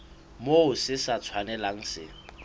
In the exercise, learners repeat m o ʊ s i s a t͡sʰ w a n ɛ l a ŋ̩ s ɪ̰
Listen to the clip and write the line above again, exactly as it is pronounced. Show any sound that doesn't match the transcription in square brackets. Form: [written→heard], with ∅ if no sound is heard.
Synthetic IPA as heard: m o ʊ s [i→ɪ] s a t͡sʰ w a n ɛ l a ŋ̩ s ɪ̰